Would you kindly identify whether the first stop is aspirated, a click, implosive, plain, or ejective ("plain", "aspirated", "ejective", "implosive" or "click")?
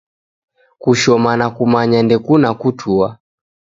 plain